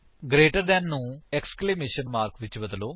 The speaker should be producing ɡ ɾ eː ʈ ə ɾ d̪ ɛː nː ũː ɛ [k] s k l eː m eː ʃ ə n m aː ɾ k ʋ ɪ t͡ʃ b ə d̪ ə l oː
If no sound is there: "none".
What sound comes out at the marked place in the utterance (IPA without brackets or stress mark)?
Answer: k